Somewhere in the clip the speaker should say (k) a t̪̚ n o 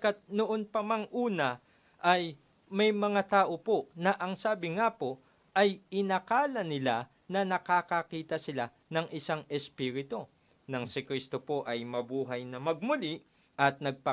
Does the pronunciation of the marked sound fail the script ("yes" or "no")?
no